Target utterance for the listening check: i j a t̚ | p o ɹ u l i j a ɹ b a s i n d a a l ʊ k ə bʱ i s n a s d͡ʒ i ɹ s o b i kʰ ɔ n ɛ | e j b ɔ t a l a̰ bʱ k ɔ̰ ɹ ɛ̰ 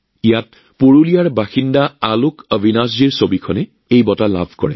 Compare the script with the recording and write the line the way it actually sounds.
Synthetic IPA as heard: i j a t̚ | p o ɹ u l i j a ɹ b a x i n d a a l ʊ k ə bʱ i n a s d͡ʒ i ɹ s o b i kʰ ɔ n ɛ | e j b ɔ t a l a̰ bʱ k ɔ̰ ɹ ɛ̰